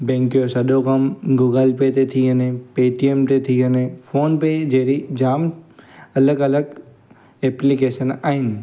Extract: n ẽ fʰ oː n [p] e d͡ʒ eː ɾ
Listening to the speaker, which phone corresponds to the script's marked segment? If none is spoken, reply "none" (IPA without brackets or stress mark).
p